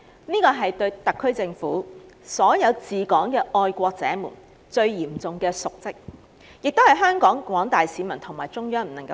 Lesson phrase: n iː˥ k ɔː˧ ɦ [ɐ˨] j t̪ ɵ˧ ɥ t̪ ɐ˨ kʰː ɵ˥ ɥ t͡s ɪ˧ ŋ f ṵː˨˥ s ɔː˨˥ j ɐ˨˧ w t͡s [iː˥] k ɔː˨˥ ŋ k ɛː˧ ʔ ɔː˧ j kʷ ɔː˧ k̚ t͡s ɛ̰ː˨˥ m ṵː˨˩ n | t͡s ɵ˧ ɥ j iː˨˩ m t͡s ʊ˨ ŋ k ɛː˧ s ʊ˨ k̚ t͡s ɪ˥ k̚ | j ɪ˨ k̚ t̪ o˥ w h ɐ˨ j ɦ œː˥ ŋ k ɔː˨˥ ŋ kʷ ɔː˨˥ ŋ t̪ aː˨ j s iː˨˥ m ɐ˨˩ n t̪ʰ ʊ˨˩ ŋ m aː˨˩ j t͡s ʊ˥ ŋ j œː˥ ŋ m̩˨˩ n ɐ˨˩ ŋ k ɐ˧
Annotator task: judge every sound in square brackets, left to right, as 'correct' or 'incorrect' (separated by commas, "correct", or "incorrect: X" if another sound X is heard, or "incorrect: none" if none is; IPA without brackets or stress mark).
correct, incorrect: iː˨